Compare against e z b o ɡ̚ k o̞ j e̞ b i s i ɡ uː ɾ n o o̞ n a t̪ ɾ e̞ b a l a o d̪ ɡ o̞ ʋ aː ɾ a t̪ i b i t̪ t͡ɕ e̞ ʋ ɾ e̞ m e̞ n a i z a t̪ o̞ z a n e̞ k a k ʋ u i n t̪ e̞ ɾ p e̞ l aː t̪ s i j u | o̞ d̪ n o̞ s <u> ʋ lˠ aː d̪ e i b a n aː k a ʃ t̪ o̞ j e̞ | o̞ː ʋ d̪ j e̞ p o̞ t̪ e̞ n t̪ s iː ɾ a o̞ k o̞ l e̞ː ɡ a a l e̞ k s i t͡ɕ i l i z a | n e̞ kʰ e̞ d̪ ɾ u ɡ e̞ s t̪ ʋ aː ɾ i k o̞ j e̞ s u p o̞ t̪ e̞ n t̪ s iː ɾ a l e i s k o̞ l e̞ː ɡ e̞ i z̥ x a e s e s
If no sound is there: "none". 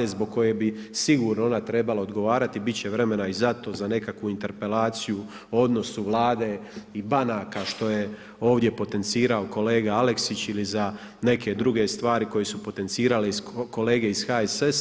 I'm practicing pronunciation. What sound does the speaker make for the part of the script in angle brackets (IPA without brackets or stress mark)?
u